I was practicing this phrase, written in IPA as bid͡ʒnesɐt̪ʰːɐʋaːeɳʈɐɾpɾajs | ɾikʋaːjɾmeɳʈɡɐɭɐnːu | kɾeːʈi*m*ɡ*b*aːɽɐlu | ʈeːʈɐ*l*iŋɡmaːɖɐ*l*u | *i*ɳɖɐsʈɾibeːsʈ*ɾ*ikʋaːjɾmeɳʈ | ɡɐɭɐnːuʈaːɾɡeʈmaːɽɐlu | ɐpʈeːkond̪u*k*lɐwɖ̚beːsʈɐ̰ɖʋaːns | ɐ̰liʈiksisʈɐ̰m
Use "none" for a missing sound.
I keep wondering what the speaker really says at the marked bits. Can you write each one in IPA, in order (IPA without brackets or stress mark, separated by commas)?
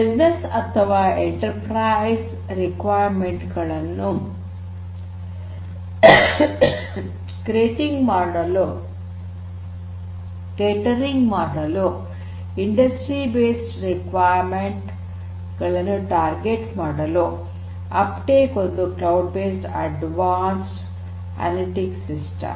ŋ, m, ɾ, l, i, ɾ, k